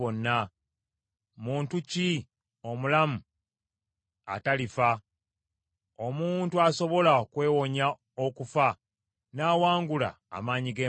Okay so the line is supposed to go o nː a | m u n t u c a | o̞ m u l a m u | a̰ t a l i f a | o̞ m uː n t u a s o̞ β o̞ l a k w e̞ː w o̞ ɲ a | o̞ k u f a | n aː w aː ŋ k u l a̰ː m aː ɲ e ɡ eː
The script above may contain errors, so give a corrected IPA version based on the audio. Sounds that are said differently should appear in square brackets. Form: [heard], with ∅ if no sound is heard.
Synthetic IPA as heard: o nː a | m [uː] n t u c [i] | o̞ m u l a m u | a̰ t a l i f a | o̞ m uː n t u a s o̞ β o̞ l a k w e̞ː w o̞ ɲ a | o̞ k u f a | n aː w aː ŋ [ɡ] u l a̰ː m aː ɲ [i] ɡ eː